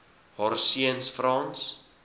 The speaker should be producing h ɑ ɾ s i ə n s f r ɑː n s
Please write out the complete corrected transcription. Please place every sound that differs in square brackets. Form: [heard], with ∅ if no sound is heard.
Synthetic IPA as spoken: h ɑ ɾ s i ə n s f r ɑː n s